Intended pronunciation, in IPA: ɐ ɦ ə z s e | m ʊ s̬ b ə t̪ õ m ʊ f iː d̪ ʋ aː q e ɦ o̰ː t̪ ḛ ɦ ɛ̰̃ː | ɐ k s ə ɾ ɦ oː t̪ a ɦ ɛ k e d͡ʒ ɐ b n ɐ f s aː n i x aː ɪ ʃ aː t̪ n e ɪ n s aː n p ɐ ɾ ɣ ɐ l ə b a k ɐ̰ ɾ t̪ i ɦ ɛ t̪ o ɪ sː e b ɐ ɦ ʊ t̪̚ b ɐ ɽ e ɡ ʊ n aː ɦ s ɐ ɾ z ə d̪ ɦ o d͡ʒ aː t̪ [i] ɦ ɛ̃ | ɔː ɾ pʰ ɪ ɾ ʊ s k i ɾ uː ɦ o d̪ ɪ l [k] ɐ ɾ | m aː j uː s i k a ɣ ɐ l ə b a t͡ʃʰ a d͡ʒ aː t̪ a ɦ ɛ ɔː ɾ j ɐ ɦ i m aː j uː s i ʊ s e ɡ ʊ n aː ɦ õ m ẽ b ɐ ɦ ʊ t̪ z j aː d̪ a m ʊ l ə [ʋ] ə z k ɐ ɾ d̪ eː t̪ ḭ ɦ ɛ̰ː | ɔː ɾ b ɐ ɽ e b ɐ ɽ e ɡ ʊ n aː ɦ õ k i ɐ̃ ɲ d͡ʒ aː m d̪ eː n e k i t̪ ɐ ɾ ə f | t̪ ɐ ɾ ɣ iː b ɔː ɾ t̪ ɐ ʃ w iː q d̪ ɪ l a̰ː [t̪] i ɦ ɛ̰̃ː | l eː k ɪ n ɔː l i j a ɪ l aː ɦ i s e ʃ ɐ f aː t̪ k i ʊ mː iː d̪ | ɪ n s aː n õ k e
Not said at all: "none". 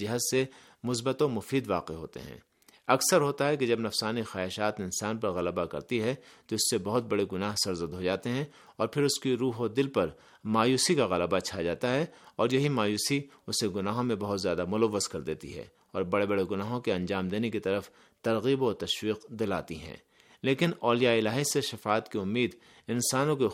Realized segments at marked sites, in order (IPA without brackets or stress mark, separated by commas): e, p, ʋː, t̪